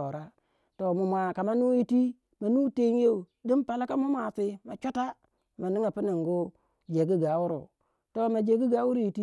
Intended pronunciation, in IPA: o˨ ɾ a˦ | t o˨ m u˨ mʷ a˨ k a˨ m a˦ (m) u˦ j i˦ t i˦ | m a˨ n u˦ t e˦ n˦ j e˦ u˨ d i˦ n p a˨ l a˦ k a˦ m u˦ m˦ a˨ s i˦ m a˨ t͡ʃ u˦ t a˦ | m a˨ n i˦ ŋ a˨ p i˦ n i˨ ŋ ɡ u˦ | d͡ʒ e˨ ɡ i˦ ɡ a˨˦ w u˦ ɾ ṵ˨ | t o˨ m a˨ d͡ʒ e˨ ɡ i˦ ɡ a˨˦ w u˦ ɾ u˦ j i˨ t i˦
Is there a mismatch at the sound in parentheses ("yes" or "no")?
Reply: yes